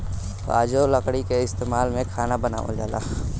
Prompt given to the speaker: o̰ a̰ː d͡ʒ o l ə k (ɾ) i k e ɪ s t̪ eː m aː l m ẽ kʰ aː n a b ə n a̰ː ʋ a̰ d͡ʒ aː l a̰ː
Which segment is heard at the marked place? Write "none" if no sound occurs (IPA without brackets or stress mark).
ɽ